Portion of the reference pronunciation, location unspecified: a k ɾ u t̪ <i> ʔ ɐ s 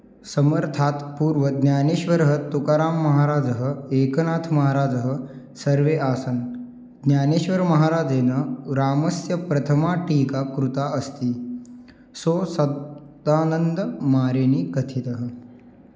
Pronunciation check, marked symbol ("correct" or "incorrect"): incorrect